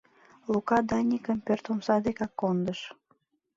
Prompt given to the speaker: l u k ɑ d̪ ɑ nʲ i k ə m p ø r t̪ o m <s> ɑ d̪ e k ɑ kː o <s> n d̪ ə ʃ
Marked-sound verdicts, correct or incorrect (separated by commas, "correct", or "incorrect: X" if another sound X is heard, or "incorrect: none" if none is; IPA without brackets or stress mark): correct, incorrect: none